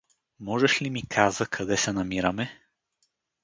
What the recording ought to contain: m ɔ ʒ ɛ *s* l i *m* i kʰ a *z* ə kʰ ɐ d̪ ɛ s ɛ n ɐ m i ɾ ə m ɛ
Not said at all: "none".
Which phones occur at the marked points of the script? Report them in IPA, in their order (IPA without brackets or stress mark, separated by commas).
ʃ, m, z